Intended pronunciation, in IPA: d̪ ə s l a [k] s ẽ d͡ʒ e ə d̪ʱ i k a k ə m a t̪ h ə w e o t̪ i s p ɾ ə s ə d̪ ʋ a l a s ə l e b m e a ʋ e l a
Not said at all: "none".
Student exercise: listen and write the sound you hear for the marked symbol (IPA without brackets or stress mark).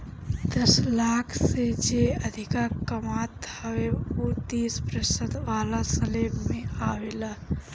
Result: kʰ